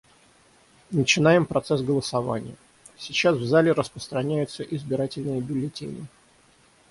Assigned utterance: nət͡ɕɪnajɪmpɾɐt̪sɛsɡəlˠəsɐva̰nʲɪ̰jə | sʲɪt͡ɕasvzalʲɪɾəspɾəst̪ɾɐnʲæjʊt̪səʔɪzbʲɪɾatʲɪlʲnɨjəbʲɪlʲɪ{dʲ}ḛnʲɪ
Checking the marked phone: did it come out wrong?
yes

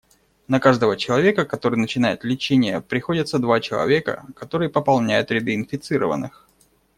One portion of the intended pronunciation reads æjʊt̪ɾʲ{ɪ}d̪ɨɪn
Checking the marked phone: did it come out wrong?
no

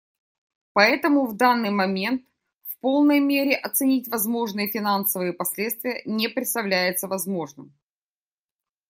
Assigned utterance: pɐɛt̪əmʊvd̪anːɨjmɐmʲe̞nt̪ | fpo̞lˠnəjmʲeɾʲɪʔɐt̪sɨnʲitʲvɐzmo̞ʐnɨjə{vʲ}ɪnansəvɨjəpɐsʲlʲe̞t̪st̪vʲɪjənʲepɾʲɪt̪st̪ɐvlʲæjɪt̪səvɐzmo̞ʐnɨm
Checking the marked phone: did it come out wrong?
yes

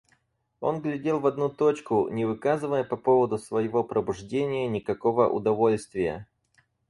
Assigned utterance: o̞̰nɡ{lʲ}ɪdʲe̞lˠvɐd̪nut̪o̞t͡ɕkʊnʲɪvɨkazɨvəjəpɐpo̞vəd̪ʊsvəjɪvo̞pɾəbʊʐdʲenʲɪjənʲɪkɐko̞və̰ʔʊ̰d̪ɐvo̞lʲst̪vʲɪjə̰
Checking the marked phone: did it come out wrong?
no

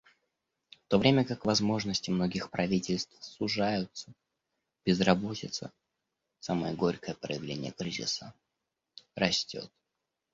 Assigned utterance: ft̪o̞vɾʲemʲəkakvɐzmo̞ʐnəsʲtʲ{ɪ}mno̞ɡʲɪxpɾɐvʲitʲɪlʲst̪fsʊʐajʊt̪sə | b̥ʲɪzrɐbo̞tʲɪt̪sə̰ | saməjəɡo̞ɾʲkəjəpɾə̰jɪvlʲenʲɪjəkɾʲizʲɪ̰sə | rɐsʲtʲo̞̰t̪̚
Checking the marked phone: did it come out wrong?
no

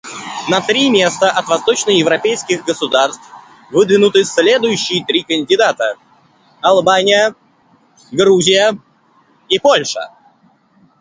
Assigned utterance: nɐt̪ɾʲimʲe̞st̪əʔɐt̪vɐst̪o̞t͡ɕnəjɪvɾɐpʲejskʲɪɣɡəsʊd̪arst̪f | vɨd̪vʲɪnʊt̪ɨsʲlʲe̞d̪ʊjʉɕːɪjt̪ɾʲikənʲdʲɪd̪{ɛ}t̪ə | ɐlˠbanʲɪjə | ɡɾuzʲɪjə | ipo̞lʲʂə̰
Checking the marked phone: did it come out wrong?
yes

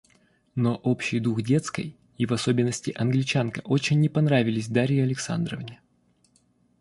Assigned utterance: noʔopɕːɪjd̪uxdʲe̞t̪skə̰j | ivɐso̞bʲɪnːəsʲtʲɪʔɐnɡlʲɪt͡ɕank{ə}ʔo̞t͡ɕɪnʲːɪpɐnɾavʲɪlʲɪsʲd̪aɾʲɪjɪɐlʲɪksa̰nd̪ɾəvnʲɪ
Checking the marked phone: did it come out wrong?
no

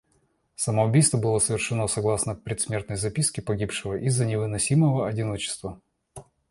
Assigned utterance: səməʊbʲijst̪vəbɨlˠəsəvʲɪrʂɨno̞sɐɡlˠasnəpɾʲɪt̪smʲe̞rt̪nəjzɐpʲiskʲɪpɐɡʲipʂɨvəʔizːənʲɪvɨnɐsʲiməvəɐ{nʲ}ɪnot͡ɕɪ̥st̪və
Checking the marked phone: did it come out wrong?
yes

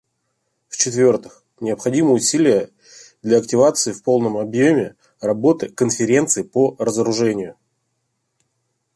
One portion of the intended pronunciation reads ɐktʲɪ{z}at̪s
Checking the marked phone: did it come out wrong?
yes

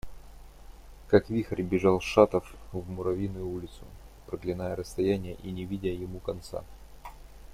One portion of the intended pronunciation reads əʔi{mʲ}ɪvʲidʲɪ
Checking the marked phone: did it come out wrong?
yes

